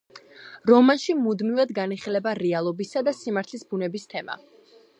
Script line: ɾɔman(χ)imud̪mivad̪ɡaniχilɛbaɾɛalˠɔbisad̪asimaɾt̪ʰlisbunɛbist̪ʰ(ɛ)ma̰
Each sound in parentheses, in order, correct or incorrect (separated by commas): incorrect, correct